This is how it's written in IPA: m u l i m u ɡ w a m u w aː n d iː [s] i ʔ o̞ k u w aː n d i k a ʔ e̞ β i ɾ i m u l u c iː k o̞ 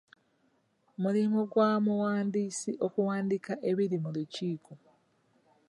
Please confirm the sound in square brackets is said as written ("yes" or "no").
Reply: yes